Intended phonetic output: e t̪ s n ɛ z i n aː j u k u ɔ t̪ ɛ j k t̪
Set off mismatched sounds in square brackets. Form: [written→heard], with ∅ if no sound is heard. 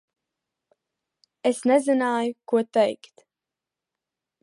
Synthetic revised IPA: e [t̪→∅] s n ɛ z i n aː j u k u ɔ t̪ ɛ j k t̪